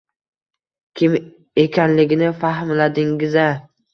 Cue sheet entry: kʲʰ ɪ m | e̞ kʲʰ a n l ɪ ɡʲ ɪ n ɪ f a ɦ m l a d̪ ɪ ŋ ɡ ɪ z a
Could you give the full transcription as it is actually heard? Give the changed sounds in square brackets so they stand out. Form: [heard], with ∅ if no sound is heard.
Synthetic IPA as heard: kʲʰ ɪ m | e̞ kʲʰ a n l ɪ ɡʲ ɪ n ɪ f a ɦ m l a d̪ ɪ ŋ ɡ ɪ z a